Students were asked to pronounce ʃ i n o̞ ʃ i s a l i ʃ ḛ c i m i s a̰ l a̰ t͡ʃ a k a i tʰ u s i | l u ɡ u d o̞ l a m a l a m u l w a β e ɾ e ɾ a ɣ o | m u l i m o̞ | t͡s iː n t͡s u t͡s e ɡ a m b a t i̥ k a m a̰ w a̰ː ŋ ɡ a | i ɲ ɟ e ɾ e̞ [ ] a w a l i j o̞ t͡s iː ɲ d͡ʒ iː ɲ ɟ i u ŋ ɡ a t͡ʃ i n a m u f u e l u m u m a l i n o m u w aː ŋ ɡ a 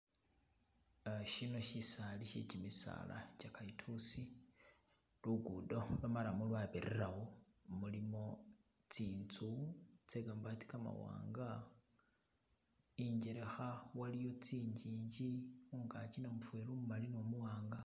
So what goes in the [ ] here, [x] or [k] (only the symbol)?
x